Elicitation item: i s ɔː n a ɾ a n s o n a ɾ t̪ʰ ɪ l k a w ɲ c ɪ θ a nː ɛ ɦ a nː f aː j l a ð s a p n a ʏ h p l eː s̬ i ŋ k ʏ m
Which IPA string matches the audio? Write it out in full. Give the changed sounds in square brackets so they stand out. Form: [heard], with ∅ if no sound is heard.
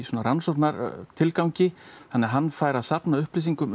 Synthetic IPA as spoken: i s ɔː n a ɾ a n s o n a ɾ t̪ʰ ɪ l k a w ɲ c ɪ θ a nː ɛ ɦ a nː f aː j [ɾ] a ð s a p n a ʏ h p l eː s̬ i ŋ k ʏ m